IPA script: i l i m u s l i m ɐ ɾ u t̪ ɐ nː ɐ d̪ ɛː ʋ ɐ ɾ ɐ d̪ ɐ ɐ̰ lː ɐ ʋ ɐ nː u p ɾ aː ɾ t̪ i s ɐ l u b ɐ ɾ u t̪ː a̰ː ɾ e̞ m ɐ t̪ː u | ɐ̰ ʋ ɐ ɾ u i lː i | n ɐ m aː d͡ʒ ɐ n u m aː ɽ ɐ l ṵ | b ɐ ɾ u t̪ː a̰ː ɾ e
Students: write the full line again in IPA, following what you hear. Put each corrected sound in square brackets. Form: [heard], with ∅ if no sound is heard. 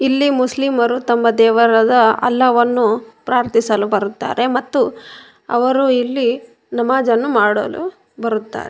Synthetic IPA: i [lː] i m u s l i m ɐ ɾ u t̪ ɐ [mː] ɐ d̪ ɛː ʋ ɐ ɾ ɐ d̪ ɐ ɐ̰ lː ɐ ʋ ɐ nː u p ɾ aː ɾ t̪ i s ɐ l u b ɐ ɾ u t̪ː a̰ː ɾ e̞ m ɐ t̪ː u | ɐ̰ ʋ ɐ ɾ u i lː i | n ɐ m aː d͡ʒ ɐ [nː] u m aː ɽ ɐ l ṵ | b ɐ ɾ u t̪ː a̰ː ɾ e